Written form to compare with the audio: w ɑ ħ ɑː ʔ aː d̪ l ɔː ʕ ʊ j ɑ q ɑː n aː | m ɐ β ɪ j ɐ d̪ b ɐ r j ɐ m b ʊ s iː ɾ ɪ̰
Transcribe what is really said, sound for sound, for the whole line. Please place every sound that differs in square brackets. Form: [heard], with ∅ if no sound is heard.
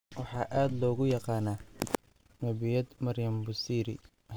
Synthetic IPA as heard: w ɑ ħ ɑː ʔ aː d̪ l ɔː [ɣ] ʊ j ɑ q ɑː n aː | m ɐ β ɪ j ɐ d̪ [m] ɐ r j ɐ m b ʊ s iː ɾ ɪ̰